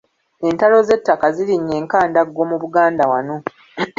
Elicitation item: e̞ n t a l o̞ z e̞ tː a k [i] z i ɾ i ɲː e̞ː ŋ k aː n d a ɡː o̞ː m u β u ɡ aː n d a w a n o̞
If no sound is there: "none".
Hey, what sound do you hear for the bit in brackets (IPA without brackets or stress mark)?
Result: a